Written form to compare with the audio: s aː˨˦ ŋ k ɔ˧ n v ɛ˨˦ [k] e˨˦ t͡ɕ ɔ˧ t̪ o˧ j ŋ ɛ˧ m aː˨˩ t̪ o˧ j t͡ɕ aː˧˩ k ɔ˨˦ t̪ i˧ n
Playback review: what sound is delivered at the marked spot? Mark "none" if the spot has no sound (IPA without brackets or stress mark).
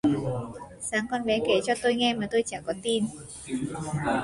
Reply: k